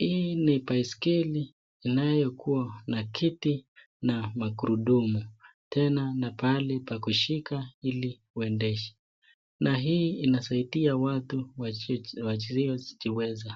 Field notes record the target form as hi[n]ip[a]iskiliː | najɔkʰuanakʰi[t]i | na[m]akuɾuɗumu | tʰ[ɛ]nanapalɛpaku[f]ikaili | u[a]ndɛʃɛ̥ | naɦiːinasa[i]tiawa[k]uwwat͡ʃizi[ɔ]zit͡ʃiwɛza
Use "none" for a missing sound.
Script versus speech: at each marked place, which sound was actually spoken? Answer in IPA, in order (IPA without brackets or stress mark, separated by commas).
n, a, t, m, ɛ, ʃ, ɛ, i, t, ɔ